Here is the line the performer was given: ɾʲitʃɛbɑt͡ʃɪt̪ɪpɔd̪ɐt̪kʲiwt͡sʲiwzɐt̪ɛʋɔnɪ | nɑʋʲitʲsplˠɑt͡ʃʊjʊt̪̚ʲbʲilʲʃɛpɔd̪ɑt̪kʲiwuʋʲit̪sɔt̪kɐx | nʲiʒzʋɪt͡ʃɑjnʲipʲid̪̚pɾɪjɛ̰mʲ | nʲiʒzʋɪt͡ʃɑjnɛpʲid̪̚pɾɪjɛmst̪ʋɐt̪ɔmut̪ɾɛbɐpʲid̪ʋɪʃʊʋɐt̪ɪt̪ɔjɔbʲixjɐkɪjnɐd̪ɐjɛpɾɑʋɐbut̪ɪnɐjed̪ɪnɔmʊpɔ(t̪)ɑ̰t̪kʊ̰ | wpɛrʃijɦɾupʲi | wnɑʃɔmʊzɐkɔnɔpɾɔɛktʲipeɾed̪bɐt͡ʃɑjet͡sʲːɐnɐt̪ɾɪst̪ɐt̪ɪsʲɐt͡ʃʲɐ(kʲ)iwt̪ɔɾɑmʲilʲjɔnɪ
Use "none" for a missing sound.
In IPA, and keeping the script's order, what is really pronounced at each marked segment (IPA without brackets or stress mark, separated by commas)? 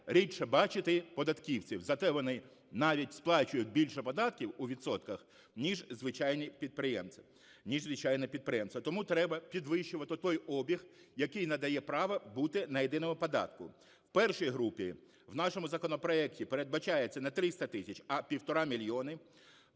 d̪, pʲ